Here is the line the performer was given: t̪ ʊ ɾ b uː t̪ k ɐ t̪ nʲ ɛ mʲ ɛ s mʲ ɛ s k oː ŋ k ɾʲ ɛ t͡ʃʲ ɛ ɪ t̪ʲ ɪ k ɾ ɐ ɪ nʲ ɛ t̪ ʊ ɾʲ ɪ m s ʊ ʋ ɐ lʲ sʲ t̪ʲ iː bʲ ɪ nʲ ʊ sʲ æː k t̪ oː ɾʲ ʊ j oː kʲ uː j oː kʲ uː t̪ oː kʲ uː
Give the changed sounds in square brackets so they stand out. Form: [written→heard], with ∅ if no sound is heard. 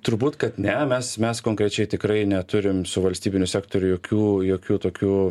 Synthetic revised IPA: t̪ ʊ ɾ b uː t̪ k ɐ t̪ nʲ ɛ mʲ ɛ s mʲ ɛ s k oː ŋ k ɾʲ ɛ t͡ʃʲ ɛ ɪ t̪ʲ ɪ k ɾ ɐ ɪ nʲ ɛ t̪ ʊ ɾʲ ɪ m s ʊ ʋ ɐ lʲ sʲ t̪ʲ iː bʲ ɪ nʲ ʊ sʲ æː k t̪ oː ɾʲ ʊ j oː kʲ uː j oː kʲ uː t̪ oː kʲ uː